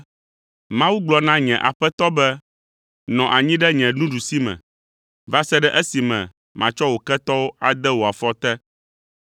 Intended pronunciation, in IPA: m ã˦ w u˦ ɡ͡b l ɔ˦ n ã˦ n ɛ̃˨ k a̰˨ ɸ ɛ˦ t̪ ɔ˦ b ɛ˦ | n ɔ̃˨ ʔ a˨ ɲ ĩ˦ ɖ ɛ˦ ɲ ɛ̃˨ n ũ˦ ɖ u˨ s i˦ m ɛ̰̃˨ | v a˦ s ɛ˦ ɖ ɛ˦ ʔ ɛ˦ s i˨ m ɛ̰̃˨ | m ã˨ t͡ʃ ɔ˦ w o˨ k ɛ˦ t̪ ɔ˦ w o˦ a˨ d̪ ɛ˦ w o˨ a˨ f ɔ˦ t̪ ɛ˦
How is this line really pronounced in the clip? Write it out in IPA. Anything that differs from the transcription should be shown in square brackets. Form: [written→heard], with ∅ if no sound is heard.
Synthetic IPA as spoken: m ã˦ w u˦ ɡ͡b l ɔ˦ n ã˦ [n→ɲ] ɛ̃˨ [k→ʔ] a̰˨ ɸ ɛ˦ t̪ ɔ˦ b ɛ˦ | n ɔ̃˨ ʔ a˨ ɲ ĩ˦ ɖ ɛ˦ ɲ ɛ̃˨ n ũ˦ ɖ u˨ s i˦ m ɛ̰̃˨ | v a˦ s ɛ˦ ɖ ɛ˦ ʔ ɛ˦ s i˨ m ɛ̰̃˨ | m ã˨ t͡ʃ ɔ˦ w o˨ k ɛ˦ t̪ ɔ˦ w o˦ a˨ d̪ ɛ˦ w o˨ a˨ f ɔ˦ t̪ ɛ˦